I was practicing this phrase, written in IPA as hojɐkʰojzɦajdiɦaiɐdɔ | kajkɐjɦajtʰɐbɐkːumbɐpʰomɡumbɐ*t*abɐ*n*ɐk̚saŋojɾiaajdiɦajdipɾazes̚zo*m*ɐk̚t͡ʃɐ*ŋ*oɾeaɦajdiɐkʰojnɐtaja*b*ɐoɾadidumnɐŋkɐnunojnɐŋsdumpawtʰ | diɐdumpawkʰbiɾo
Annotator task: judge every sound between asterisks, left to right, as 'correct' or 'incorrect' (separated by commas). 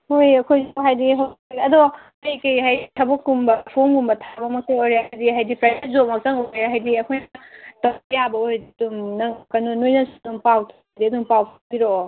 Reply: incorrect, incorrect, correct, correct, correct